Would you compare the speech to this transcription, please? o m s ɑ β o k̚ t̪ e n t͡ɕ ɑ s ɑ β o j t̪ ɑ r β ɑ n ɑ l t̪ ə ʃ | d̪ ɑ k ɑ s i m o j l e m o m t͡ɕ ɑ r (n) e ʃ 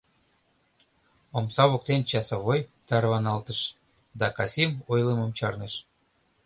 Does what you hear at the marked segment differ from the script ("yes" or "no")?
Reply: no